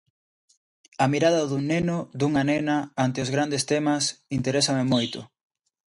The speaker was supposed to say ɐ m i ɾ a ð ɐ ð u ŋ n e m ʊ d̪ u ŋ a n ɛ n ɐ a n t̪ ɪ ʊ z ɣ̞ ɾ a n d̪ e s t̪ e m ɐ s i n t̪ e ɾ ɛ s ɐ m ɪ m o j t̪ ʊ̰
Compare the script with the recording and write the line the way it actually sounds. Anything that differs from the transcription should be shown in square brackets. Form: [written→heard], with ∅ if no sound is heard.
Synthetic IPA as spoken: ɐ m i ɾ a ð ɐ ð u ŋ n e [m→n] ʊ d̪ u ŋ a n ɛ n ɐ a n t̪ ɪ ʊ z ɣ̞ ɾ a n d̪ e s t̪ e m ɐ s i n t̪ e ɾ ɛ s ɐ m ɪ m o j t̪ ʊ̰